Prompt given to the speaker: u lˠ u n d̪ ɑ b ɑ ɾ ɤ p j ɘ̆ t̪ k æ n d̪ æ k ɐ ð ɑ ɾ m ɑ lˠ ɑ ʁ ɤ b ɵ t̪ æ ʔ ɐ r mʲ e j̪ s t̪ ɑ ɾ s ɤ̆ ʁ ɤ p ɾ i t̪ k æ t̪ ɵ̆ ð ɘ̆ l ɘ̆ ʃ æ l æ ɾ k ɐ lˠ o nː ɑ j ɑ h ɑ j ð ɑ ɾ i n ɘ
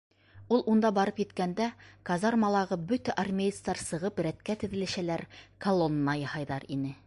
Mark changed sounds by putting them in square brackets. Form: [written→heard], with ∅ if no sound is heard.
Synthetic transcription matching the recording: u lˠ u n d̪ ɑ b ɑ ɾ ɤ p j ɘ̆ t̪ k æ n d̪ æ k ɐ [ð→z] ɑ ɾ m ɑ lˠ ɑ ʁ ɤ b ɵ t̪ æ ʔ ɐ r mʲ e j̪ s t̪ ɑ ɾ s ɤ̆ ʁ ɤ p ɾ [i→æ] t̪ k æ t̪ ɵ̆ ð ɘ̆ l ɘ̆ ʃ æ l æ ɾ k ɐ lˠ o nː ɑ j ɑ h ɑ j ð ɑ ɾ i n ɘ

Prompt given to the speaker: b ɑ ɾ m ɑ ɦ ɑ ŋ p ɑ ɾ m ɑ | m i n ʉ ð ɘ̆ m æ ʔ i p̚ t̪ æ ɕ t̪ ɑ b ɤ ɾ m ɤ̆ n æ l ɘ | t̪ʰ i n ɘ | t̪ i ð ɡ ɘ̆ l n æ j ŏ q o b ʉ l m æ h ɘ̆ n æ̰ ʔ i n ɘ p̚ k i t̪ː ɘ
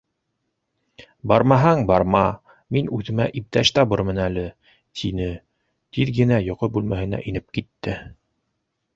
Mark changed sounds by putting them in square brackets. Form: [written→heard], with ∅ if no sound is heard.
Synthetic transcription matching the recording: b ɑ ɾ m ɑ ɦ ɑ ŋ [p→b] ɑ ɾ m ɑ | m i n ʉ ð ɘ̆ m æ ʔ i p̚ t̪ æ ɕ t̪ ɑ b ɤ ɾ m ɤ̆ n æ l ɘ | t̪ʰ i n ɘ | t̪ i ð ɡ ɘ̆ [l→∅] n æ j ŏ q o b ʉ l m æ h ɘ̆ n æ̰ ʔ i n ɘ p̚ k i t̪ː ɘ

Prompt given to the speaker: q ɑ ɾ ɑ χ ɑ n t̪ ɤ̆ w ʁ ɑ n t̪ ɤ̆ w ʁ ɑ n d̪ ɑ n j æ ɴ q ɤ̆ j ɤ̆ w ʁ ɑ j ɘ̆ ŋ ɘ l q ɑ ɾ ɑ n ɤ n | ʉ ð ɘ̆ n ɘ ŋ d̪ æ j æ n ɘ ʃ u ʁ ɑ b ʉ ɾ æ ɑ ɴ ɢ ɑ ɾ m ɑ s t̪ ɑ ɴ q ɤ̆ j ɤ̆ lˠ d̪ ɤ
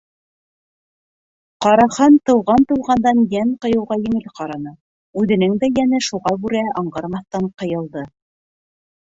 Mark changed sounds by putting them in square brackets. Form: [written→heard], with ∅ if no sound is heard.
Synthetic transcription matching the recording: q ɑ ɾ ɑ χ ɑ n t̪ ɤ̆ w ʁ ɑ n t̪ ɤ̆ w ʁ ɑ n d̪ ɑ n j æ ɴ q ɤ̆ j ɤ̆ w ʁ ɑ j ɘ̆ ŋ ɘ l q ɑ ɾ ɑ n ɤ [n→∅] | ʉ ð ɘ̆ n ɘ ŋ d̪ æ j æ n ɘ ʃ u ʁ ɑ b ʉ ɾ æ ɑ ɴ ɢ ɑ ɾ m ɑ [s→θ] t̪ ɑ ɴ q ɤ̆ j ɤ̆ lˠ d̪ ɤ

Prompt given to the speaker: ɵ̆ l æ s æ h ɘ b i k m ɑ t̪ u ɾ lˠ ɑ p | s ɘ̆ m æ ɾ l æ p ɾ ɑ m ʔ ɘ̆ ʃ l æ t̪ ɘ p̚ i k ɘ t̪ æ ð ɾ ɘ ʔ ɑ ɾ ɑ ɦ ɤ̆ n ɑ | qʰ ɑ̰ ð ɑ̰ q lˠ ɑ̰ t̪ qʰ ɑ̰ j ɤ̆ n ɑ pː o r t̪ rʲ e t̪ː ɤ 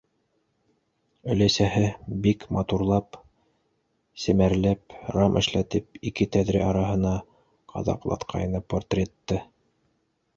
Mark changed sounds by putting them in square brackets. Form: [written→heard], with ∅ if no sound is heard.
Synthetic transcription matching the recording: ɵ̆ l æ s æ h ɘ b i k m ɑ t̪ u ɾ lˠ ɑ p | s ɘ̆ m æ ɾ l æ p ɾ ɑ m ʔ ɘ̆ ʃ l æ t̪ ɘ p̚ i k ɘ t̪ æ ð ɾ ɘ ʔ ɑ ɾ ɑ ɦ ɤ̆ n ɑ | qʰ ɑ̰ ð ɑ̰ q lˠ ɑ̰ t̪ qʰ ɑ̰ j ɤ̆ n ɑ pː o r t̪ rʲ e t̪ː ɤ

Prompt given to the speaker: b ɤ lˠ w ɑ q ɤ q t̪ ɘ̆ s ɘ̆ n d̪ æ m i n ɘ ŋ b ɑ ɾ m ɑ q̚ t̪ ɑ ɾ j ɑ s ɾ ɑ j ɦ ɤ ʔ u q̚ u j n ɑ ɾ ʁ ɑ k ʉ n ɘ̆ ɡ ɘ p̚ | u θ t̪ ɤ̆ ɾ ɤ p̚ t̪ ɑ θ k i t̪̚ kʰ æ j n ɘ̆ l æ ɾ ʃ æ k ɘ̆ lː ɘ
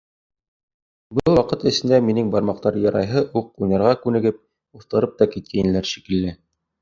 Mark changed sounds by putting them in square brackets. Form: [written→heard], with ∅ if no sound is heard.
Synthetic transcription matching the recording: b ɤ lˠ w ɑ q ɤ [q→∅] t̪ ɘ̆ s ɘ̆ n d̪ æ m i n ɘ ŋ b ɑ ɾ m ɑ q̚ t̪ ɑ ɾ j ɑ [s→∅] ɾ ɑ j ɦ ɤ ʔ u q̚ u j n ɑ ɾ ʁ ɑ k ʉ n ɘ̆ ɡ ɘ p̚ | u θ t̪ ɤ̆ ɾ ɤ p̚ t̪ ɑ [θ→∅] k i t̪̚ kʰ æ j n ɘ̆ l æ ɾ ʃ [æ→i] k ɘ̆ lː ɘ

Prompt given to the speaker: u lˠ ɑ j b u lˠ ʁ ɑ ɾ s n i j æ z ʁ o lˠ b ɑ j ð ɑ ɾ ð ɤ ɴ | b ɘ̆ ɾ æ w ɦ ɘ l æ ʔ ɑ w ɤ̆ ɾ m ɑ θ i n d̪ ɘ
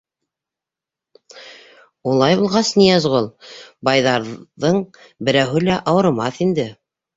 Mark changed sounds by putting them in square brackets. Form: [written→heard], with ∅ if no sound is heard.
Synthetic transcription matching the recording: u lˠ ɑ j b u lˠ ʁ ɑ [ɾ→∅] s n i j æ z ʁ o lˠ b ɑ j ð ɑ ɾ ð ɤ ɴ | b ɘ̆ ɾ æ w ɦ ɘ l æ ʔ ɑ w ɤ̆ ɾ m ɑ θ i n d̪ ɘ

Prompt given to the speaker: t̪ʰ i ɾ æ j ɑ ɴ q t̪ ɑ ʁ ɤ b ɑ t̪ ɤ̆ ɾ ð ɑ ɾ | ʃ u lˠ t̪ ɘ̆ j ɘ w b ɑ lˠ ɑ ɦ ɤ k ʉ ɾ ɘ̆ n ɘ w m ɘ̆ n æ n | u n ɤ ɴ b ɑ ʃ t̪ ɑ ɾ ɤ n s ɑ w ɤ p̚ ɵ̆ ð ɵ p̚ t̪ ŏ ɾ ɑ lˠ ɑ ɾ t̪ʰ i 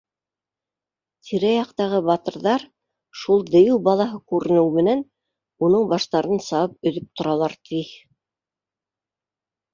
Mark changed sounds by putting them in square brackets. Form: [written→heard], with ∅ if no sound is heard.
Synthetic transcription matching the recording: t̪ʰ i ɾ æ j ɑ [ɴ→∅] q t̪ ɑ ʁ ɤ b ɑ t̪ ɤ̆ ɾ ð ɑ ɾ | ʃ u lˠ [t̪→d̪] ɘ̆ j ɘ w b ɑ lˠ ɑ ɦ ɤ k ʉ ɾ ɘ̆ n ɘ w m ɘ̆ n æ n | u n ɤ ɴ b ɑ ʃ t̪ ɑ ɾ ɤ n s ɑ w ɤ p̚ ɵ̆ ð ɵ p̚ t̪ ŏ ɾ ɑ lˠ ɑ ɾ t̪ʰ i

